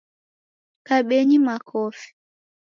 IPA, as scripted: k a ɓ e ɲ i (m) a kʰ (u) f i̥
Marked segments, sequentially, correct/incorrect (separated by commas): correct, incorrect